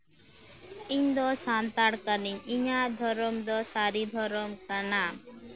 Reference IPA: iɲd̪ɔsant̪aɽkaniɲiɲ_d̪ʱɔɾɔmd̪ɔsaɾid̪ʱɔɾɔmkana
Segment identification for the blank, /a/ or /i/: a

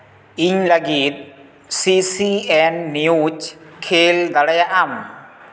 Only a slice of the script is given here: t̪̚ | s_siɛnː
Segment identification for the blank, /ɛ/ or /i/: i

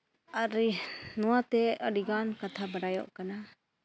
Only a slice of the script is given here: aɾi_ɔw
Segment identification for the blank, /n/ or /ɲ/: n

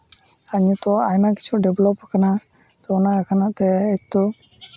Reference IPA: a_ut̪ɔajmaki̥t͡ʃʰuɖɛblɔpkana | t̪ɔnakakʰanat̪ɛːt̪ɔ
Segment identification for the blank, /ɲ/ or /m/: ɲ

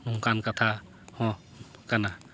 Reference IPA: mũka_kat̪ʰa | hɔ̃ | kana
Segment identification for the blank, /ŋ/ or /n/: n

